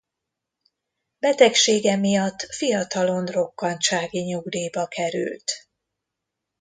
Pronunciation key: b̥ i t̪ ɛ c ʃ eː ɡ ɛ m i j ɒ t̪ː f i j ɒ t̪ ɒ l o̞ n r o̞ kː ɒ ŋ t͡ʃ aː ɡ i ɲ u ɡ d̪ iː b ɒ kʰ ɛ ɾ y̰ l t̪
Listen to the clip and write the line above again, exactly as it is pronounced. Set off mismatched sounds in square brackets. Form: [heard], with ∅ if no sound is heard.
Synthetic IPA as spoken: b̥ [ɛ] t̪ ɛ [k] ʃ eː ɡ ɛ m i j ɒ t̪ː f i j ɒ t̪ ɒ l o̞ n r o̞ kː ɒ [n] t͡ʃ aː ɡ i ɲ u ɡ d̪ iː b ɒ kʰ ɛ ɾ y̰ l t̪